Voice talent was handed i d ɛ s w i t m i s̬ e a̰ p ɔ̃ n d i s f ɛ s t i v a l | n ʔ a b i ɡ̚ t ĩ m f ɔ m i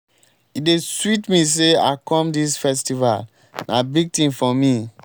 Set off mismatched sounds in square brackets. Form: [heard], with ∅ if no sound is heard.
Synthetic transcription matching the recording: i d [e] s w i t m i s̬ e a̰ [k] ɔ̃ [m] d i s f ɛ s t i v a l | n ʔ a b i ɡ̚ t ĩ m f ɔ m i

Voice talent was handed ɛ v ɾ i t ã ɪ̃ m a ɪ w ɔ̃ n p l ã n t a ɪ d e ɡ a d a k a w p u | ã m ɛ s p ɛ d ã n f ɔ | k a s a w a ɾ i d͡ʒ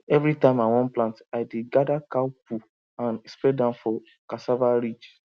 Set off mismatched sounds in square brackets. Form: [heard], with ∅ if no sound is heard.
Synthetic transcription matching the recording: ɛ v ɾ i t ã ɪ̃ m a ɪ w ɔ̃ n p l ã n t a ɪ d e ɡ a d a k a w p u | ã [n] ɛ s p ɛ d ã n f ɔ | k a s a [v] a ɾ i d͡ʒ

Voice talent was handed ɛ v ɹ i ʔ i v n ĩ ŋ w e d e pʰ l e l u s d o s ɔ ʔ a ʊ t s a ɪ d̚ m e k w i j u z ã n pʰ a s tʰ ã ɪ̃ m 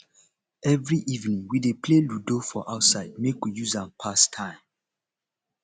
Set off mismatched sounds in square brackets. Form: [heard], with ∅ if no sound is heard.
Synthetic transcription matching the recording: ɛ v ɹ i ʔ i v n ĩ ŋ w [i] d e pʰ l e l u [∅] d o [f] ɔ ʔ a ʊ t s a ɪ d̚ m e k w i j u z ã n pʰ a s tʰ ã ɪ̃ m

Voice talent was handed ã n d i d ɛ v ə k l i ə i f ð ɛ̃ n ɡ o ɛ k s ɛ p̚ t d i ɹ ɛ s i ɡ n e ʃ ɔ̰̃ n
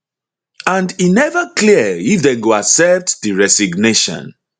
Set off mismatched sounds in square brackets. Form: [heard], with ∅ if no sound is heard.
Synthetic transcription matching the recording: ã n d i [n] ɛ v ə k l i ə i f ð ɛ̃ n ɡ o [a] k s ɛ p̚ t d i ɹ ɛ s i ɡ n e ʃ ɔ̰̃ n

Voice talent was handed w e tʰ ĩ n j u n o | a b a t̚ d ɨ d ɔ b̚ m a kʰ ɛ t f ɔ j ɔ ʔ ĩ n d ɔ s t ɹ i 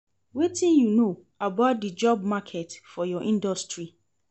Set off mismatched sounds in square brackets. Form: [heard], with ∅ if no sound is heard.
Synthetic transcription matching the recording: w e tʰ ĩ n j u n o | a b a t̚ d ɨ [d͡ʒ] ɔ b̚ m a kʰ ɛ t f ɔ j ɔ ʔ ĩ n d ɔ s t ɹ i

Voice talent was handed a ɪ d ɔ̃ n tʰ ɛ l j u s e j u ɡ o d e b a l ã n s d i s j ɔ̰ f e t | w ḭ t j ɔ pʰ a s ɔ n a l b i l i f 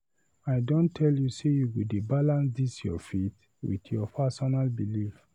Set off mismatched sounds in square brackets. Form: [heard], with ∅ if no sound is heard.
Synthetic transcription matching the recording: a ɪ d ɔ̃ n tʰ ɛ l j u s e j u ɡ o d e b a l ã n s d i s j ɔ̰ f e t | w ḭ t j ɔ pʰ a s ɔ n a l b i l i f

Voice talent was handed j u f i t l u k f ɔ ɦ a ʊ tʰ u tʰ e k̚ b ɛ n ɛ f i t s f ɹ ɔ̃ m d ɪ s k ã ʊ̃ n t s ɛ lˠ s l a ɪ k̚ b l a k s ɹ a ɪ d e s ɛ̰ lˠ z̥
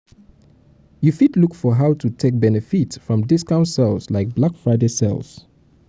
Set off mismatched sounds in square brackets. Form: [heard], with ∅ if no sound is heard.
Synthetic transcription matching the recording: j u f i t l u k f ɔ ɦ a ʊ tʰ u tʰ e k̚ b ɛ n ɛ f i t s f ɹ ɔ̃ m d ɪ s k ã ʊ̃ n t s ɛ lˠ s l a ɪ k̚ b l a k [f] ɹ a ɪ d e s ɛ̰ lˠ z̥

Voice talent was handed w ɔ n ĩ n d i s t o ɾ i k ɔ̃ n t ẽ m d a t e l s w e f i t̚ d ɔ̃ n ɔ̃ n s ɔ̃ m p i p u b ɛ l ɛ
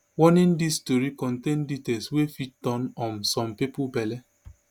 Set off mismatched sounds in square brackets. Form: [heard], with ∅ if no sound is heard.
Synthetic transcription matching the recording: w ɔ n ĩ n d i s t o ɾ i k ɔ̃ n t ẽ [n] d [i] t e l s w e f i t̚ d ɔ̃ n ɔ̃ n s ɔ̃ m p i p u b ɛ l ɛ

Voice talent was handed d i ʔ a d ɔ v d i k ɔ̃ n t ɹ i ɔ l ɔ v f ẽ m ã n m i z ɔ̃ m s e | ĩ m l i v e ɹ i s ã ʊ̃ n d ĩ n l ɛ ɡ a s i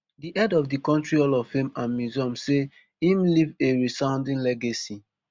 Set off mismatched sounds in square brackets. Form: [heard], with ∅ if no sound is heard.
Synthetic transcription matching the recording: d i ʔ [ɛ] d ɔ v d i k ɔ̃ n t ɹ i ɔ l ɔ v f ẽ m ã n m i z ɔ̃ m s e | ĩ m l i v e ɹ i s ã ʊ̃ n d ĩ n l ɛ ɡ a s i

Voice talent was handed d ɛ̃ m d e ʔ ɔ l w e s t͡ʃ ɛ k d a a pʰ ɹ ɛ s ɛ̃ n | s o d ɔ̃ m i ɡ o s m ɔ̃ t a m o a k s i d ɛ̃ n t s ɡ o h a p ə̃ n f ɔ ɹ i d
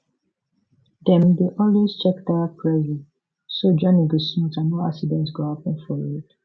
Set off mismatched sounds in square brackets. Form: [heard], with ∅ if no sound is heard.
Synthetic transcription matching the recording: d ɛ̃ m d e ʔ ɔ l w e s t͡ʃ ɛ k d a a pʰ ɹ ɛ [z] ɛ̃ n | s o [d͡ʒ] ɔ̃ [n] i ɡ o s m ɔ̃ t a [n] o a k s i d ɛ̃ n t s ɡ o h a p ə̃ n f ɔ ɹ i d

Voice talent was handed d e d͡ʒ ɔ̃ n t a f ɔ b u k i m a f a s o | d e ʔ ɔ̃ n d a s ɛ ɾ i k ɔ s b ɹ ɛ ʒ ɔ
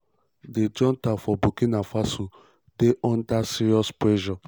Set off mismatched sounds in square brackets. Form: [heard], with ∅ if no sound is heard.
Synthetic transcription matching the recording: d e d͡ʒ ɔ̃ n t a f ɔ b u k i [n] a f a s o | d e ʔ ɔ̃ n d a s [i] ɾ i [∅] ɔ s [p] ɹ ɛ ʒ ɔ

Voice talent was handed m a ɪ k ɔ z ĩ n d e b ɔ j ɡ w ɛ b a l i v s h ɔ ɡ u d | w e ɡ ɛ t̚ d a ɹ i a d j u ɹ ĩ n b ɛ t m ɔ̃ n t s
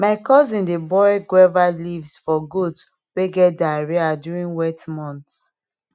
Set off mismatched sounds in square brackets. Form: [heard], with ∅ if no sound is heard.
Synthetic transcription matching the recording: m a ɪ k ɔ z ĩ n d e b ɔ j ɡ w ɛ [v] a l i v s [f] ɔ ɡ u d | w e ɡ ɛ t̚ d a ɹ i a d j u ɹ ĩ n [w] ɛ t m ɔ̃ n t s

